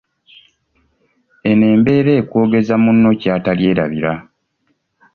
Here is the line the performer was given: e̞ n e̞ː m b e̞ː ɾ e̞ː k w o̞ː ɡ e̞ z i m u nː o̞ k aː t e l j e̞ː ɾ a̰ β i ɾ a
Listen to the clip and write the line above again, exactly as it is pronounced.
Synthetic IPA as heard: e̞ n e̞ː m b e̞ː ɾ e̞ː k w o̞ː ɡ e̞ z a m u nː o̞ c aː t a l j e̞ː ɾ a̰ β i ɾ a